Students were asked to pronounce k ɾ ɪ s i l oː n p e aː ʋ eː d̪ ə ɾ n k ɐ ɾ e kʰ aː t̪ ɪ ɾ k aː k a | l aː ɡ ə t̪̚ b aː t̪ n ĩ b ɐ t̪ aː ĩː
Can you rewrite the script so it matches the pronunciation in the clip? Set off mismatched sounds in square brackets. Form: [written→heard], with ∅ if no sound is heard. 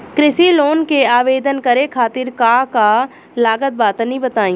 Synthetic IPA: k ɾ ɪ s i l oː n [p→k] e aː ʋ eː d̪ ə [ɾ→∅] n k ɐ ɾ e kʰ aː t̪ ɪ ɾ k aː k a | l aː ɡ ə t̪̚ b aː t̪ n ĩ b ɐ t̪ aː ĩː